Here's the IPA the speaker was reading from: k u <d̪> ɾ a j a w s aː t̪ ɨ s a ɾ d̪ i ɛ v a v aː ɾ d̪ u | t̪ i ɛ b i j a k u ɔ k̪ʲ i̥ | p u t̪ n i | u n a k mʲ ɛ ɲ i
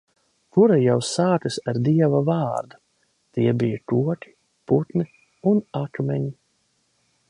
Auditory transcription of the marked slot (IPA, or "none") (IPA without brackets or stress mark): none